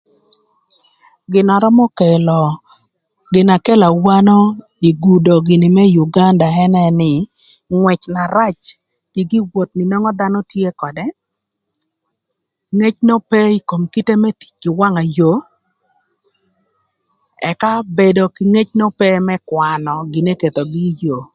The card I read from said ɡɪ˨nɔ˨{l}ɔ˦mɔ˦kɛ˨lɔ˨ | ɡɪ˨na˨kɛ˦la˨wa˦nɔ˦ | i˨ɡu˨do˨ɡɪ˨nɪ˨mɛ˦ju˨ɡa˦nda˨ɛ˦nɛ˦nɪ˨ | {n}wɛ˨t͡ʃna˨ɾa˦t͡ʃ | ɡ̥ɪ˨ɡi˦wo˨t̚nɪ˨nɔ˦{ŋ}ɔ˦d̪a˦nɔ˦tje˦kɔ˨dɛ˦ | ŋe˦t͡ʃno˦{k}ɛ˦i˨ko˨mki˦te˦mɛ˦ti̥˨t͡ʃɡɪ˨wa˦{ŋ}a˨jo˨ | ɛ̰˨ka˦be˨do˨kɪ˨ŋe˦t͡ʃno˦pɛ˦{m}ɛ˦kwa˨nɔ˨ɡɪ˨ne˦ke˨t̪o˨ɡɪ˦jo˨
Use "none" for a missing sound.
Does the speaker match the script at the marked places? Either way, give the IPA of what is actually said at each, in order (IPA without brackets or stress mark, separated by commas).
ɾ, ŋ, ŋ, p, ŋ, m